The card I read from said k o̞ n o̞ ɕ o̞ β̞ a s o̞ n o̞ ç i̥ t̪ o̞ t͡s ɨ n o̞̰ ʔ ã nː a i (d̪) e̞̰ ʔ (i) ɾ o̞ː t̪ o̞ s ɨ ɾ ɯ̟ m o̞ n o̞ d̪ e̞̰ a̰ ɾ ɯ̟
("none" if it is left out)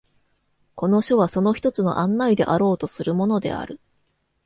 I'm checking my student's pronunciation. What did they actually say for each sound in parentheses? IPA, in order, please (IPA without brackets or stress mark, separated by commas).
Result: d̪, a